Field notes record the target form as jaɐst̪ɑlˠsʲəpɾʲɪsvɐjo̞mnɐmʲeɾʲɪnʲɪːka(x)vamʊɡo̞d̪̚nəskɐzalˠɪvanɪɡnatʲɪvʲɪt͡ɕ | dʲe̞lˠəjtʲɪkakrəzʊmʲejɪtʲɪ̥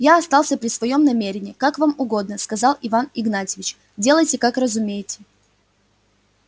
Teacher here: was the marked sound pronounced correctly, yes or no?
no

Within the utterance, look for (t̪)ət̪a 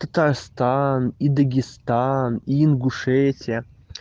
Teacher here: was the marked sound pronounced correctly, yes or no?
yes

